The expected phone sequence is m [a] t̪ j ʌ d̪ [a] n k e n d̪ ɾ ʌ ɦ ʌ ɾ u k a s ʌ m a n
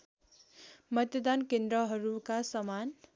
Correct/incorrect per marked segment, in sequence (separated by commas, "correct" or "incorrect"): incorrect, correct